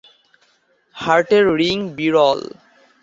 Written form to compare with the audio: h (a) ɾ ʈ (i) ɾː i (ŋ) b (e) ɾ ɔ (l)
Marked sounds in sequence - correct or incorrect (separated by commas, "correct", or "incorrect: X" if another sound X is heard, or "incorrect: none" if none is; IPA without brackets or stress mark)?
correct, incorrect: e, correct, incorrect: i, correct